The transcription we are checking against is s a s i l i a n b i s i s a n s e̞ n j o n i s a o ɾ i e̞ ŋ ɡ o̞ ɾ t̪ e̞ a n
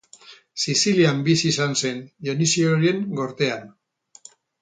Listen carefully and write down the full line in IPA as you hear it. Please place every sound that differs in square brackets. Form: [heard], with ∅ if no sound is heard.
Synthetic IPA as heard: s [i] s i l i a [m] b i s i s a n s e̞ n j o n i s [i] o ɾ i e̞ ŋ ɡ o̞ ɾ t̪ e̞ a n